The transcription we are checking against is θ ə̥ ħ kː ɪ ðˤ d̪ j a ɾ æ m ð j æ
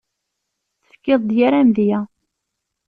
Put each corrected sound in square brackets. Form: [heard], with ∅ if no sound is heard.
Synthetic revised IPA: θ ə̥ [f] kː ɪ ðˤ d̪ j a ɾ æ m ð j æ